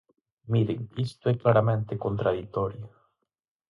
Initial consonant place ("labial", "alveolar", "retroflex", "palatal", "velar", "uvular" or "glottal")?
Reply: labial